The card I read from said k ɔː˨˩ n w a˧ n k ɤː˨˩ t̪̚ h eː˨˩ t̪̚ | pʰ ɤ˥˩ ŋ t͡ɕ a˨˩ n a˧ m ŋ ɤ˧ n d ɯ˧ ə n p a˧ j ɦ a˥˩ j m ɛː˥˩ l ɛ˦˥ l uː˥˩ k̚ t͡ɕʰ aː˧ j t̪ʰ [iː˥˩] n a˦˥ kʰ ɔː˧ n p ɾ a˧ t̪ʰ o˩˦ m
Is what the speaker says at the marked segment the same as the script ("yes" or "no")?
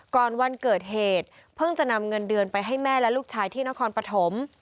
yes